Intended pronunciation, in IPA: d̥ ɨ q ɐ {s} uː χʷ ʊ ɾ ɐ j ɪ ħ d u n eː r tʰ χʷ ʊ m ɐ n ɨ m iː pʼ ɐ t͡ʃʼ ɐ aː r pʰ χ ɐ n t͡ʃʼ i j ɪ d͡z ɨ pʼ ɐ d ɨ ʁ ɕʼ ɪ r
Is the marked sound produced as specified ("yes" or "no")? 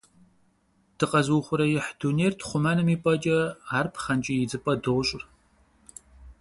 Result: no